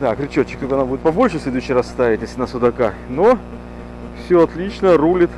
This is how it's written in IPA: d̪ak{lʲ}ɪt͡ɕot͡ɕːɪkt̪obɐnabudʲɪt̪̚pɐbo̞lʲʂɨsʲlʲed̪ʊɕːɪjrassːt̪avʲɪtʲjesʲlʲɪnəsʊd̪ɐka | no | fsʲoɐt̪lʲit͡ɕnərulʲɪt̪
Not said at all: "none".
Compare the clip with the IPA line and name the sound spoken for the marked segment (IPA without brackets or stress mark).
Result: ɾʲ